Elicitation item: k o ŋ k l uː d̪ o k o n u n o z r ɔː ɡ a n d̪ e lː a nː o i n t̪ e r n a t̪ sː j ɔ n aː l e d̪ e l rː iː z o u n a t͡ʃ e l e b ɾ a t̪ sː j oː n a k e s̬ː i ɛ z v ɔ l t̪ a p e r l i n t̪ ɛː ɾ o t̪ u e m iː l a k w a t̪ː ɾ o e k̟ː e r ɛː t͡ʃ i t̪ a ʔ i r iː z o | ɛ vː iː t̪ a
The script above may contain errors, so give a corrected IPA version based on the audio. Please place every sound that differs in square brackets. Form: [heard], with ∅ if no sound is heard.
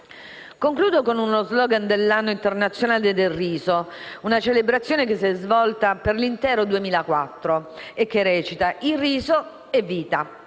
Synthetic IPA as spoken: k o ŋ k l uː d̪ o k o n u n o z [l] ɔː ɡ a n d̪ e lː a nː o i n t̪ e r n a t̪ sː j [o] n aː l e d̪ e l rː iː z o u n a t͡ʃ e l e b ɾ a t̪ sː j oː n [e] k e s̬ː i ɛ z v ɔ l t̪ a p e r l i n t̪ ɛː ɾ o [d̪] u e m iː l a k w a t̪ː ɾ o e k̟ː e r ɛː t͡ʃ i t̪ a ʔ i r iː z o | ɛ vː iː t̪ a